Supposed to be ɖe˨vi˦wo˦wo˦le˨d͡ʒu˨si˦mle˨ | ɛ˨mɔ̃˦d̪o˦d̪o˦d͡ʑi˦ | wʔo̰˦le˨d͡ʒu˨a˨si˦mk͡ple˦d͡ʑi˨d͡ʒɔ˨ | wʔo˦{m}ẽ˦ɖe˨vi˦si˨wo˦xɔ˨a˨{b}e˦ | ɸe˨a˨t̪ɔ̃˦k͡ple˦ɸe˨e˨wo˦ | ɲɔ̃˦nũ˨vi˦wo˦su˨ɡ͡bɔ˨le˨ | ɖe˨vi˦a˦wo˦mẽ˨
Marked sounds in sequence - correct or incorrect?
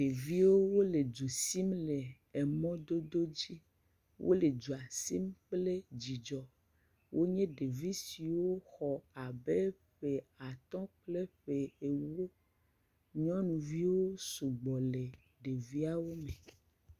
incorrect, correct

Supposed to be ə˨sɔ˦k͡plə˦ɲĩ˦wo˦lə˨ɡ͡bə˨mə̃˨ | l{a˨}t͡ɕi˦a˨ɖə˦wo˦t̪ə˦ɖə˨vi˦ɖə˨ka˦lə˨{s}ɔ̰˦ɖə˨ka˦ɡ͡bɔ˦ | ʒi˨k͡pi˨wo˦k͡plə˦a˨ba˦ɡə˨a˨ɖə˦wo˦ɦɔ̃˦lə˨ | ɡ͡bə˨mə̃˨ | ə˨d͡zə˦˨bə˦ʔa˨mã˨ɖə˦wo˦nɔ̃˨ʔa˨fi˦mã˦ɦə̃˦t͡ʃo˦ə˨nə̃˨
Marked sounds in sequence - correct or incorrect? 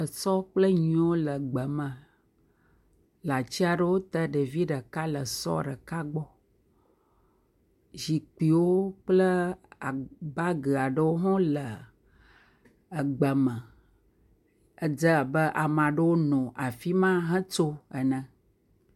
correct, correct

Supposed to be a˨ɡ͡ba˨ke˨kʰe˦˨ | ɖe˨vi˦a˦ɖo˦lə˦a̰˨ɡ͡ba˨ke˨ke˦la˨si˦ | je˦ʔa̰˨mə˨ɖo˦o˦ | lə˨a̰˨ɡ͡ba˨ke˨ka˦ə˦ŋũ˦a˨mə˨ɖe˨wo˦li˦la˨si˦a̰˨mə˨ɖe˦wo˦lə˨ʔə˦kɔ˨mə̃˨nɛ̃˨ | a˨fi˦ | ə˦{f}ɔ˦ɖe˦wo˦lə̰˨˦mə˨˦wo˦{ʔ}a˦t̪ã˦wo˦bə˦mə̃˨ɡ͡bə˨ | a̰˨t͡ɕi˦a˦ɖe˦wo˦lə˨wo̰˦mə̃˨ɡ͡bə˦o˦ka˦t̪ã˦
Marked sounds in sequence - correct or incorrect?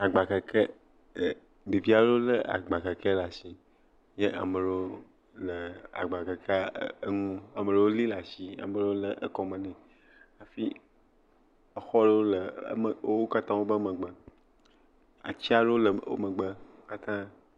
incorrect, incorrect

